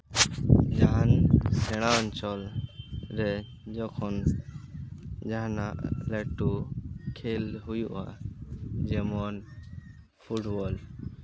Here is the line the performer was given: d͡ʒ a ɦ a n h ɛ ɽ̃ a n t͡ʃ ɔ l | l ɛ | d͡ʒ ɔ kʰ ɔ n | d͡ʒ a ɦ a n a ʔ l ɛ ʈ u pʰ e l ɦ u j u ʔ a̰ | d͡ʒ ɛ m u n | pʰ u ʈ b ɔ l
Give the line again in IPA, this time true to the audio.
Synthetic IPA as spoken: d͡ʒ a ɦ a n s ɛ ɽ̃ a n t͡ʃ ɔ l | ɾ ɛ | d͡ʒ ɔ kʰ ɔ n | d͡ʒ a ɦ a n a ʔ l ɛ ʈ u kʰ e l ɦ u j u ʔ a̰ | d͡ʒ ɛ m ɔ n | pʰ u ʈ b ɔ l